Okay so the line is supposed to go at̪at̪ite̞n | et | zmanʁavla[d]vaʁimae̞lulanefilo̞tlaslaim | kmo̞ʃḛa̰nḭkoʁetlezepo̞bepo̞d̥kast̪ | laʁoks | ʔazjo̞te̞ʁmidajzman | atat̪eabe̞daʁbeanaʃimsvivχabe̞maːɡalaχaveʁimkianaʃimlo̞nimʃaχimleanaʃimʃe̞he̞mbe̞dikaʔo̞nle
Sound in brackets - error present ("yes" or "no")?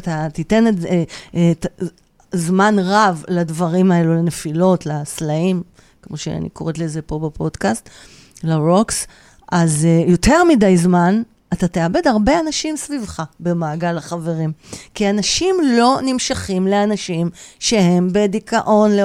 no